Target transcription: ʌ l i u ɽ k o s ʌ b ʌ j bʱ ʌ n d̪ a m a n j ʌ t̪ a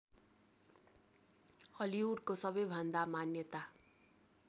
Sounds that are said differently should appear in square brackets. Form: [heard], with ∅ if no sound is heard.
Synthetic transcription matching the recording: ʌ l i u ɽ k o s ʌ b ʌ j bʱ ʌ n d̪ a m a n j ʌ t̪ a